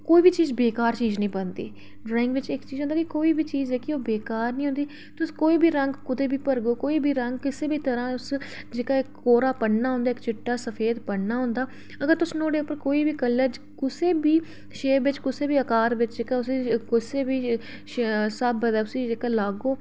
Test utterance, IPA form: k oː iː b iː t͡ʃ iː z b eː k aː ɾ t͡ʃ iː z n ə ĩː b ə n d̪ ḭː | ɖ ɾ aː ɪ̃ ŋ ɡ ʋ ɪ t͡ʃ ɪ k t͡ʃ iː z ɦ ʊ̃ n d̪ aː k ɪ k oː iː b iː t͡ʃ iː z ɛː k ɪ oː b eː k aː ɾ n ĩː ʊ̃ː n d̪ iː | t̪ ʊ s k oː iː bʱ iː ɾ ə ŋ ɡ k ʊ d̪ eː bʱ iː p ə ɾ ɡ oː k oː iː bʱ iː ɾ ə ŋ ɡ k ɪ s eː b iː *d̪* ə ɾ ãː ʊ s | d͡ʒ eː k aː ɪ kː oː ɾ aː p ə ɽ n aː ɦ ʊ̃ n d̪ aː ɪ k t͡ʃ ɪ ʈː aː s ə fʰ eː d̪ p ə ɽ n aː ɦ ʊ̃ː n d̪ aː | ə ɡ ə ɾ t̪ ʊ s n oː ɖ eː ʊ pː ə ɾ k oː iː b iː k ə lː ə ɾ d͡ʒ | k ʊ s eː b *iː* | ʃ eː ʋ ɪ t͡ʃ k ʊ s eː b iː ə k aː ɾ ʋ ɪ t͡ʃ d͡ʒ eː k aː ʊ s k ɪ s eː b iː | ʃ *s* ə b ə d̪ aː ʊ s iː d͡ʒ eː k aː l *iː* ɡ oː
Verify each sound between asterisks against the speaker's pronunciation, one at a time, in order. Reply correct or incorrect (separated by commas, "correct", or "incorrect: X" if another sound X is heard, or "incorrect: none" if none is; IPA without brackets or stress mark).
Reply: incorrect: t̪, correct, correct, incorrect: aː